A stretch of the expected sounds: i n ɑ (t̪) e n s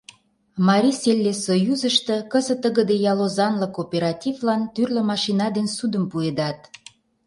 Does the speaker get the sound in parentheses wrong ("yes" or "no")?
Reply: yes